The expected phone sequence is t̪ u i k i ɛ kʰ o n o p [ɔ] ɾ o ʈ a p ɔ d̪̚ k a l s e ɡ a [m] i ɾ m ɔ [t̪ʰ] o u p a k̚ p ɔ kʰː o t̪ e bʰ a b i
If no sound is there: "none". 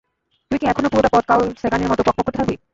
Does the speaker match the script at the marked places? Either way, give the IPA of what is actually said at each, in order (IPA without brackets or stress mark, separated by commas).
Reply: u, n, t̪